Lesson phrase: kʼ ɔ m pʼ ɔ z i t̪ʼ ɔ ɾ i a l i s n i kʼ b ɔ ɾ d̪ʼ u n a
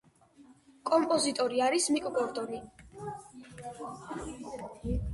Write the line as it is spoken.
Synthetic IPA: kʼ ɔ m pʼ ɔ z i t̪ʼ ɔ ɾ i a ɾ i s m i kʼ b ɔ ɾ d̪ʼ ɔ n i